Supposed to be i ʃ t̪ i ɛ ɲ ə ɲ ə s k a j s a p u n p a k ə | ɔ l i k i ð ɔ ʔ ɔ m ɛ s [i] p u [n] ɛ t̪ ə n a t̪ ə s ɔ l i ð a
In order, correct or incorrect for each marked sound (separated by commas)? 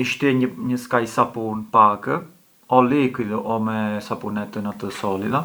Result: incorrect, correct